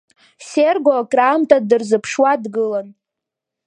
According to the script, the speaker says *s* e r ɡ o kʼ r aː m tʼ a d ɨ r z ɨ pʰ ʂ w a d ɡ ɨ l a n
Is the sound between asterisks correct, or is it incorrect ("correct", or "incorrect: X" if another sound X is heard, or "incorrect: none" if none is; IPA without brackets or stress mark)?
correct